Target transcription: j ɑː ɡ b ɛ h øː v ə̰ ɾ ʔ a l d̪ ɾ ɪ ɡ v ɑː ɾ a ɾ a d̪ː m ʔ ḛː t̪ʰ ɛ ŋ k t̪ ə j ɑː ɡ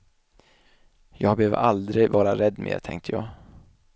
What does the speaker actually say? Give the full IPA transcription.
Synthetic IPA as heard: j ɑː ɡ b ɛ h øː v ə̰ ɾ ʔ a l d̪ ɾ ɪ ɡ v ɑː ɾ a ɾ ɛ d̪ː m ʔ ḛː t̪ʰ ɛ ŋ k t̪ ə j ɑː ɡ